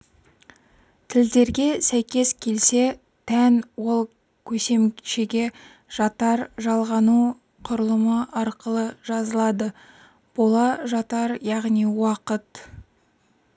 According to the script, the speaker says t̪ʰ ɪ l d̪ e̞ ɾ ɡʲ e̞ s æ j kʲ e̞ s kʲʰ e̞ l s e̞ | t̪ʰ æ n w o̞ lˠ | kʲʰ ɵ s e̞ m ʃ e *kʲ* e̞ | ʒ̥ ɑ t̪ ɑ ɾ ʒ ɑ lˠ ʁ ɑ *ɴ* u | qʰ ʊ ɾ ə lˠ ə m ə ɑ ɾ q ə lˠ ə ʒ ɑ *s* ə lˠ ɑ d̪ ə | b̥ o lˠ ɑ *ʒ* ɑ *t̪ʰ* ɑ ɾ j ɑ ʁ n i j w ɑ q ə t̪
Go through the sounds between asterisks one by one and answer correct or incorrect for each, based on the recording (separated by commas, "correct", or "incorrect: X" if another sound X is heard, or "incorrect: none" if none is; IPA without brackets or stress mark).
incorrect: ɡʲ, incorrect: n, incorrect: z, correct, incorrect: t̪